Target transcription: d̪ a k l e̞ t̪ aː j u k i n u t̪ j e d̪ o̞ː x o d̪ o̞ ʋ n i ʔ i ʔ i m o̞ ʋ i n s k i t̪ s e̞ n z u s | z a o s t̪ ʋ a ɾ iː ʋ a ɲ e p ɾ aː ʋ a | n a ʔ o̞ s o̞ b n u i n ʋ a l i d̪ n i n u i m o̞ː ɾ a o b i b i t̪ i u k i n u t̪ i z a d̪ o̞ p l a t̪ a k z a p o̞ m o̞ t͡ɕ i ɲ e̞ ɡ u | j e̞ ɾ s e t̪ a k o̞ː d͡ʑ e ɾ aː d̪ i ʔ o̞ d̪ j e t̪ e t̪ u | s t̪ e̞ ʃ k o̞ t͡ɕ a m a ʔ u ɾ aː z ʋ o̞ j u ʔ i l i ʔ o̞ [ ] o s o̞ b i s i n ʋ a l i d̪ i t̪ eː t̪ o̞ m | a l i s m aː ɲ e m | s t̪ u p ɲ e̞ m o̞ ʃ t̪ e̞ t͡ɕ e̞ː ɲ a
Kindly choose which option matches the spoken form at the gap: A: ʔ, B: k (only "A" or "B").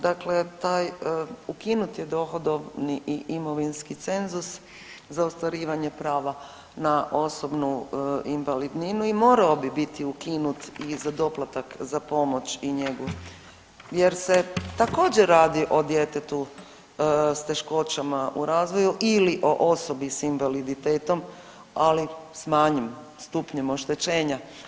A